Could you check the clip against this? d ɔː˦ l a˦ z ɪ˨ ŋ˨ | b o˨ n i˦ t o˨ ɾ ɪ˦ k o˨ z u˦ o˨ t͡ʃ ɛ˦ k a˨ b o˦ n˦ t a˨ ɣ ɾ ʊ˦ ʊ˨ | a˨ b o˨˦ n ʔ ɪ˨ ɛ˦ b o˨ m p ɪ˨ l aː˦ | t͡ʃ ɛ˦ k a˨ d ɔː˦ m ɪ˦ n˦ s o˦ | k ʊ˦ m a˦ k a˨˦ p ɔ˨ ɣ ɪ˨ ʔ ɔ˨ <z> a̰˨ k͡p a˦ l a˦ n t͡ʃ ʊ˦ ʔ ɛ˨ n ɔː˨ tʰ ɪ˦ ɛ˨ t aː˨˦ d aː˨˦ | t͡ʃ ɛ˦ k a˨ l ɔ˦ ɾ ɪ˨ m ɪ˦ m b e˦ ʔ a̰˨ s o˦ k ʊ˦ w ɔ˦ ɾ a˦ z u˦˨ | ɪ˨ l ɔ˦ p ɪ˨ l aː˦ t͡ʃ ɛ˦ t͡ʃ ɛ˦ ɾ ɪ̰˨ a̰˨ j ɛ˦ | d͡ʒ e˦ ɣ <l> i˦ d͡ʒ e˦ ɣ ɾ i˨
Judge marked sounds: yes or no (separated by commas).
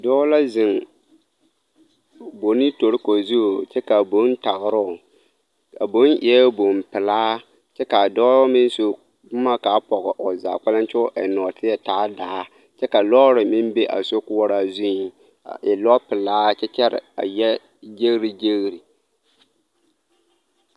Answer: yes, no